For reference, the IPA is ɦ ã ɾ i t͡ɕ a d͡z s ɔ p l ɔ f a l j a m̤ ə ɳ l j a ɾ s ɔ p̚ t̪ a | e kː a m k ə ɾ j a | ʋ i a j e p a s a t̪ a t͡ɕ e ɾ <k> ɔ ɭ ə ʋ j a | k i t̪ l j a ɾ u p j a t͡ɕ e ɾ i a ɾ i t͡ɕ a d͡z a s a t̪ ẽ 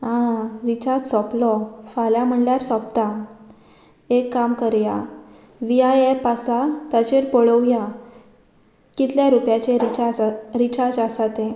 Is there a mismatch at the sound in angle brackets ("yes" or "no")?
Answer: yes